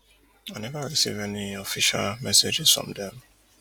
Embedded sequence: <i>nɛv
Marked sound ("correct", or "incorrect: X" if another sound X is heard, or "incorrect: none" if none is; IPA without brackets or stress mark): incorrect: a